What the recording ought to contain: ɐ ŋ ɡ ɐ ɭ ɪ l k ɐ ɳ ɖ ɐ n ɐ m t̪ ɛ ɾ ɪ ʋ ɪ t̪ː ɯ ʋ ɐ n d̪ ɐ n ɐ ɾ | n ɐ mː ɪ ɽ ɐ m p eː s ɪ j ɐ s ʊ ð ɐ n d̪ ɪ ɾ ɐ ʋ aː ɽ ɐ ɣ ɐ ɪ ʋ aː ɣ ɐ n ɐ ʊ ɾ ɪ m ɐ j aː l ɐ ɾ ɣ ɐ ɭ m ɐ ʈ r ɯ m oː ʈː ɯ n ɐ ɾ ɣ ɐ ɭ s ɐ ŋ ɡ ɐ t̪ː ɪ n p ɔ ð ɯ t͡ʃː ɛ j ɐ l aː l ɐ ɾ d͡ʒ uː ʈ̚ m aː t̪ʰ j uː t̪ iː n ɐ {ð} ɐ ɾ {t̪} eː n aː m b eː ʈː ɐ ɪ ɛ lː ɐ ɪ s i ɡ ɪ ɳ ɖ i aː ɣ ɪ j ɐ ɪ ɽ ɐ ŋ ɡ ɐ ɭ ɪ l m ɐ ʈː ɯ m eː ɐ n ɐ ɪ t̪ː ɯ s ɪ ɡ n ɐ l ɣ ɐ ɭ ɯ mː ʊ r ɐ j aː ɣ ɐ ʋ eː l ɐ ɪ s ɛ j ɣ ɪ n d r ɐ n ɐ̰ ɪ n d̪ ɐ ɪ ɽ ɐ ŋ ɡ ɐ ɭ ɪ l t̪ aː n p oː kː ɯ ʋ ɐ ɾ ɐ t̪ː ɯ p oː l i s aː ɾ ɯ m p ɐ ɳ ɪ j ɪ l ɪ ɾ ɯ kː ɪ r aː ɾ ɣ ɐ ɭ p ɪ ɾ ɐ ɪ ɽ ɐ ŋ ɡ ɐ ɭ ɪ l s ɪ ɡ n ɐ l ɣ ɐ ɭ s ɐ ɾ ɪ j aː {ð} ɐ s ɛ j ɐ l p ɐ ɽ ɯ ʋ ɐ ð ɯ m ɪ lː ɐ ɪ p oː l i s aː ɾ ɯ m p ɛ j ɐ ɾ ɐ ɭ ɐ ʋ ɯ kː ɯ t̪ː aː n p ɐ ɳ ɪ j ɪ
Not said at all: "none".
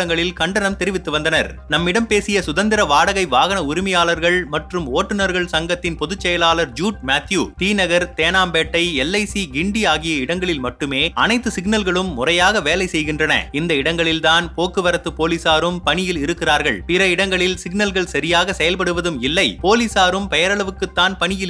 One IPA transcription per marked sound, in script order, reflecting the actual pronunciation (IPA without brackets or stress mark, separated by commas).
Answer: ɣ, t̪, ɣ